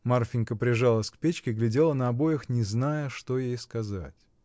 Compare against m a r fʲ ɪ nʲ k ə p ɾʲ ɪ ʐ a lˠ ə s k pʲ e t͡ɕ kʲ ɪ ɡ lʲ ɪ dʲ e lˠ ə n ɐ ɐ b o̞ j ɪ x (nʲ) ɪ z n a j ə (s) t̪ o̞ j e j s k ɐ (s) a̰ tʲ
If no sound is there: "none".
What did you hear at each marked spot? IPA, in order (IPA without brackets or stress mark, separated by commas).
nʲ, ʂ, z